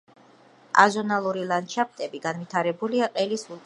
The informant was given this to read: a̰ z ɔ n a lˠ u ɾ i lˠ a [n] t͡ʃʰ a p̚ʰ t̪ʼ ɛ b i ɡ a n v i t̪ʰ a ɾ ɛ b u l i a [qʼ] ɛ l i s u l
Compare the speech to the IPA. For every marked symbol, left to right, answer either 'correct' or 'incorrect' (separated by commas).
correct, correct